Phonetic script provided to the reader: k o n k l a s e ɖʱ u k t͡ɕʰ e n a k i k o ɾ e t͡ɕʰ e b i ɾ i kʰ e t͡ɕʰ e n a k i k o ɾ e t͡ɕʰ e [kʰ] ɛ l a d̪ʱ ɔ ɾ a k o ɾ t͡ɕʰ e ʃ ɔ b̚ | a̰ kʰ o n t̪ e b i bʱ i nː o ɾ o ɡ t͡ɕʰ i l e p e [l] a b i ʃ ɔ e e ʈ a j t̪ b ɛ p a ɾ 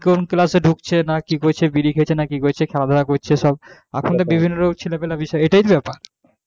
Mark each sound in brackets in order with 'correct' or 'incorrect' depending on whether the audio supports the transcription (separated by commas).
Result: correct, correct